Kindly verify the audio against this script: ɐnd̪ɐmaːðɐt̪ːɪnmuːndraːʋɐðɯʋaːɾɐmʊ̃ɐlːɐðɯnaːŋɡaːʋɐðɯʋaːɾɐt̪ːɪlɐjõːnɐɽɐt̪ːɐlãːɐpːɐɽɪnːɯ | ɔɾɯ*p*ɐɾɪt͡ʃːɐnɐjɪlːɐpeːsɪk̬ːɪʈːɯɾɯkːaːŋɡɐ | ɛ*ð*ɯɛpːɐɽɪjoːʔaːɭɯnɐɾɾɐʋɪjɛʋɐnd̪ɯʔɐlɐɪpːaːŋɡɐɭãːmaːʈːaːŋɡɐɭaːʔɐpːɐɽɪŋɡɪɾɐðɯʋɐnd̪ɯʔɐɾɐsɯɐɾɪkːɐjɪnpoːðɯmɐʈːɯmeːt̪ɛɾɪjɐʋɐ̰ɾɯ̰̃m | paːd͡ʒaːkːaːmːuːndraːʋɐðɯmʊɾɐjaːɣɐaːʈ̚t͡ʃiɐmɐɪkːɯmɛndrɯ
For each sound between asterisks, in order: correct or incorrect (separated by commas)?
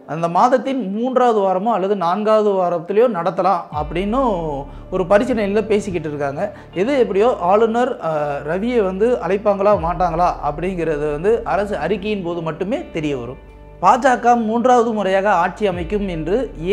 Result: correct, correct